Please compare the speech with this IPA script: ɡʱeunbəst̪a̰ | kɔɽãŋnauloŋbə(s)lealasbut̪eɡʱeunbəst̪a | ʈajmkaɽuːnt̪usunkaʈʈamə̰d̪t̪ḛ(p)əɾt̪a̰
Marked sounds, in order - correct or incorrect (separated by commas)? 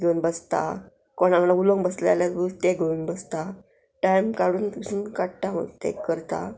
correct, incorrect